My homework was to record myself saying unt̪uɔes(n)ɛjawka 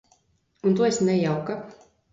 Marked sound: correct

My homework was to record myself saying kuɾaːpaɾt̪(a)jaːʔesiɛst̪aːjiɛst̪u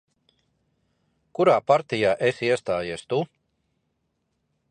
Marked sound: incorrect: i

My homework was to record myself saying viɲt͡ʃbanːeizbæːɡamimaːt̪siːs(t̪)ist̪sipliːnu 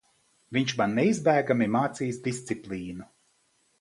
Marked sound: incorrect: d̪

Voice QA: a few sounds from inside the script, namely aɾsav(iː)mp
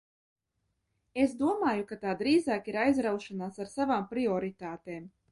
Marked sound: incorrect: aː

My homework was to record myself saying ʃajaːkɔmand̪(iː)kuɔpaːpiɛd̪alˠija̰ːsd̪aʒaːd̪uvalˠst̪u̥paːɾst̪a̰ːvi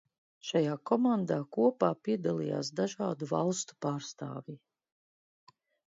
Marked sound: incorrect: aː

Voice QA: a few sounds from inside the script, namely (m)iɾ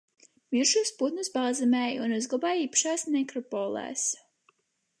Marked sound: correct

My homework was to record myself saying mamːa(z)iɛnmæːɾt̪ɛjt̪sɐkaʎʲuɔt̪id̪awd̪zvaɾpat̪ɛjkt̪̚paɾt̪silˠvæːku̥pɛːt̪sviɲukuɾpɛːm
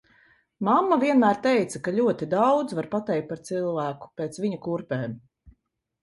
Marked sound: incorrect: v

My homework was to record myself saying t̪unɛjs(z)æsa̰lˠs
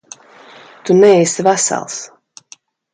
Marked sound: incorrect: v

